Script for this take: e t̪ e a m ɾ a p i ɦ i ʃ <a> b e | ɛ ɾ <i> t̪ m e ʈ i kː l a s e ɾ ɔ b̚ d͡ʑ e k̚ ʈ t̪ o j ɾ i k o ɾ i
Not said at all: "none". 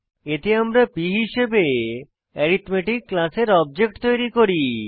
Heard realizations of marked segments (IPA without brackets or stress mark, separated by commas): e, i